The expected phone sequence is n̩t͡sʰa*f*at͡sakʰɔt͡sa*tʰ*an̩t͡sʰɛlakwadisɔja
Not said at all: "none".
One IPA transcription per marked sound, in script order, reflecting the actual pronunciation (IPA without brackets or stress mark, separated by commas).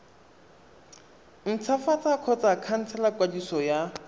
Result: f, kʰ